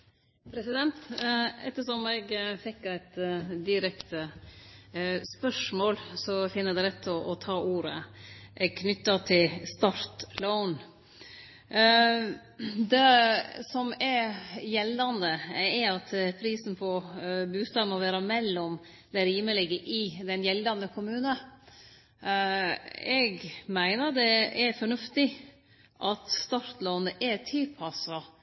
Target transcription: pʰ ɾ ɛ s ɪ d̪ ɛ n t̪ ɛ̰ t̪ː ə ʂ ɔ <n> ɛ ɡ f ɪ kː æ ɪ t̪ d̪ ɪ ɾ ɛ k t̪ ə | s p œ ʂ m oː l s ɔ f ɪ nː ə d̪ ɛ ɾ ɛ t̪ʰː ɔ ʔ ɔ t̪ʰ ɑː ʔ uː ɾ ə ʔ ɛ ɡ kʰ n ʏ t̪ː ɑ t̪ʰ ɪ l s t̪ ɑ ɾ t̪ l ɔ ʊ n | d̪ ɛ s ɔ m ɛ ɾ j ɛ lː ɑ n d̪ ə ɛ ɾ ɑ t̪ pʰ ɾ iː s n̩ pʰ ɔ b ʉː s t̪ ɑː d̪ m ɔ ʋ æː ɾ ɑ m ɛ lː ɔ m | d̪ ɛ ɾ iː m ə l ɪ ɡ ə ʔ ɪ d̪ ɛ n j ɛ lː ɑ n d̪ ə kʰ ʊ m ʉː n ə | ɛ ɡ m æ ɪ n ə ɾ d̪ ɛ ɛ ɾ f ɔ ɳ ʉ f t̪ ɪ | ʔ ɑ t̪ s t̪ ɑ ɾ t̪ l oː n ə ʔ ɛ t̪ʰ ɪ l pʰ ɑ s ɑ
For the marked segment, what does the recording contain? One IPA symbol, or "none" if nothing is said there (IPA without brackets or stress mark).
m